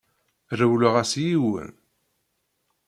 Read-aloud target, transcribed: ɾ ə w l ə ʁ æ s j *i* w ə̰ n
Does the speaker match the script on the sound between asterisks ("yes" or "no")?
yes